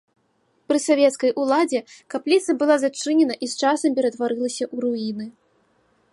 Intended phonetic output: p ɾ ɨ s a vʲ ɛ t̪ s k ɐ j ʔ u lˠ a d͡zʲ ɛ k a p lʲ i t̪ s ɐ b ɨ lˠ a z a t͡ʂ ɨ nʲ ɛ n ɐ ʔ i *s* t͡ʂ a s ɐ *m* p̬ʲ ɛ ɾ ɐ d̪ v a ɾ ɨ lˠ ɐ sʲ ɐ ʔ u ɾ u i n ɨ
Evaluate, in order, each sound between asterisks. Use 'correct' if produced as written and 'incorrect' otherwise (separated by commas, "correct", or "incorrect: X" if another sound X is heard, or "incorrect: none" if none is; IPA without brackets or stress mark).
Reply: correct, correct